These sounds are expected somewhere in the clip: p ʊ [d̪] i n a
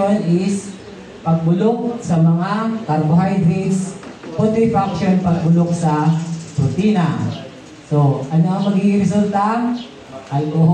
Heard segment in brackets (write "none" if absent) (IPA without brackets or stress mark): t̪